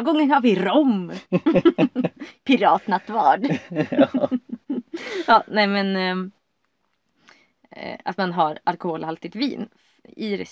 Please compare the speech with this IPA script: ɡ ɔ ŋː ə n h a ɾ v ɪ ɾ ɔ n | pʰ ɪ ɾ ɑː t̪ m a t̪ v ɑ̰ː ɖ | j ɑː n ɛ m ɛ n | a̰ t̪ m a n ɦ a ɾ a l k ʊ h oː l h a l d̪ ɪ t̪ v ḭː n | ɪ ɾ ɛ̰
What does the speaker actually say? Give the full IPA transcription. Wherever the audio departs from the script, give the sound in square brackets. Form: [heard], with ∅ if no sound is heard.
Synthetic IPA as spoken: ɡ ɔ ŋː ə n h a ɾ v ɪ ɾ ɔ [m] | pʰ ɪ ɾ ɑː t̪ [n] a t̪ v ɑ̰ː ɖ | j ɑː n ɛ m ɛ n | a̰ t̪ m a n ɦ a ɾ a l k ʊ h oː l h a l [t̪] ɪ t̪ v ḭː n | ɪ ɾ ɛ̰